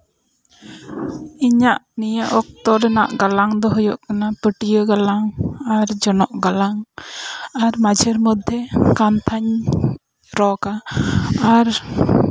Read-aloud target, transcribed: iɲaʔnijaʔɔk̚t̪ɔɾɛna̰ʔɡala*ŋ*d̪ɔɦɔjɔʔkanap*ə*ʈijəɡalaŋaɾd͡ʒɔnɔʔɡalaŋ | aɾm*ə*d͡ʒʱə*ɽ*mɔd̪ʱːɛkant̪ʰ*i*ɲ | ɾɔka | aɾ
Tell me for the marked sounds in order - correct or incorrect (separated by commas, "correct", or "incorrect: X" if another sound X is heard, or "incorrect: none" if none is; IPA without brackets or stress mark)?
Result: correct, correct, incorrect: a, incorrect: ɾ, incorrect: a